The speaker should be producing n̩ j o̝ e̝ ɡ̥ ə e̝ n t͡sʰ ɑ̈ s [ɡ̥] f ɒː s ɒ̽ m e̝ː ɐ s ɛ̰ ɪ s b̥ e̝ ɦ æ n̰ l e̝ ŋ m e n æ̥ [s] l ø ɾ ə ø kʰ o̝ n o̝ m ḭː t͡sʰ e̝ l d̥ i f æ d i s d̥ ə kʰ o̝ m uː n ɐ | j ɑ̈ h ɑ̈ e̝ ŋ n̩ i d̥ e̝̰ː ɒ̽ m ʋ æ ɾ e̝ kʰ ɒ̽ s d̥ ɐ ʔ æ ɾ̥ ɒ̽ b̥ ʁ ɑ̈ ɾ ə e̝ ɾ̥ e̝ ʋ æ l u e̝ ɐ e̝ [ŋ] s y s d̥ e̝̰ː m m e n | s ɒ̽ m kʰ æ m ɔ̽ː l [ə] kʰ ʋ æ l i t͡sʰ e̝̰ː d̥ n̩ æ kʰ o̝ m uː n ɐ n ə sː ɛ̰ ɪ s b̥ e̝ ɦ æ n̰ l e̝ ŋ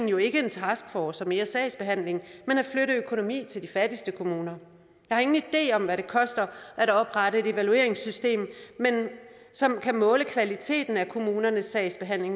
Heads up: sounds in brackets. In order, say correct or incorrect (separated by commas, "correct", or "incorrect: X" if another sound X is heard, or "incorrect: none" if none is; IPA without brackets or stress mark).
correct, incorrect: f, correct, correct